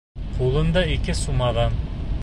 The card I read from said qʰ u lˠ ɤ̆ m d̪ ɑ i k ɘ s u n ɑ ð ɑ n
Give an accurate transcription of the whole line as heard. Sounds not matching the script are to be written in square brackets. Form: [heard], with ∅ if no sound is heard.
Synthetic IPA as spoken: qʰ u lˠ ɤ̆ [n] d̪ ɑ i k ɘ s u [m] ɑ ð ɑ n